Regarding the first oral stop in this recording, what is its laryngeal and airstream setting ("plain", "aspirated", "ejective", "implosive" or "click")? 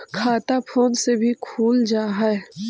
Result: aspirated